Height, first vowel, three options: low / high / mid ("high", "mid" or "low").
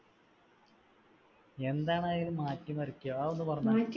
mid